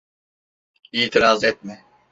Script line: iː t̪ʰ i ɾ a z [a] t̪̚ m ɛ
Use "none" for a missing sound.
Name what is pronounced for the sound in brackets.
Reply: ɛ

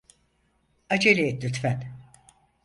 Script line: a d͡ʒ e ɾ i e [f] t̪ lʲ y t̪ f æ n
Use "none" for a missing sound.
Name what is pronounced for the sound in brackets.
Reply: none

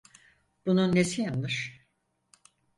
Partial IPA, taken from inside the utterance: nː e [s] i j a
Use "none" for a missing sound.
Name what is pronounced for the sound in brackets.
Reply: s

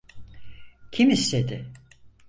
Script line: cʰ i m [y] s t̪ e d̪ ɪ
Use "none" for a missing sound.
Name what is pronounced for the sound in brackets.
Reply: i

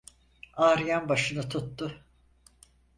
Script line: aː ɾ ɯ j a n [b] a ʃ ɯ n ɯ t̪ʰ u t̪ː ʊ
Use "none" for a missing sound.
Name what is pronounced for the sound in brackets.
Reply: b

